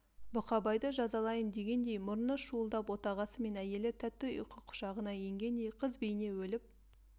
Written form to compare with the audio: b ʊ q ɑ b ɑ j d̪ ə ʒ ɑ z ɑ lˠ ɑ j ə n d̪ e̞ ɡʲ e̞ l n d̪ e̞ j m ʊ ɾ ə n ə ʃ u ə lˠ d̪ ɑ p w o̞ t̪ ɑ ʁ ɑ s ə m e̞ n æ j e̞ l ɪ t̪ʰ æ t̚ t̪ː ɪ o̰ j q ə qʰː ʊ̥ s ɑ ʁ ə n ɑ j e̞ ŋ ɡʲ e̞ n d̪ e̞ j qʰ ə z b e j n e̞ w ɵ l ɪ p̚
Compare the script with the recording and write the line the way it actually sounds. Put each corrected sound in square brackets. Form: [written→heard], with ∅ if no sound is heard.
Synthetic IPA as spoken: b ʊ q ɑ b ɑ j d̪ ə ʒ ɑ z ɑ lˠ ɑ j ə n d̪ e̞ ɡʲ e̞ [l→∅] n d̪ e̞ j m ʊ ɾ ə n ə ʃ u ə lˠ d̪ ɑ p w o̞ t̪ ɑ ʁ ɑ s ə m e̞ n æ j e̞ l ɪ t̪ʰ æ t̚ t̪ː ɪ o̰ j q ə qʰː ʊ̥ [s→ʃ] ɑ ʁ ə n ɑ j e̞ ŋ ɡʲ e̞ n d̪ e̞ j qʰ ə z b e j n e̞ w ɵ l ɪ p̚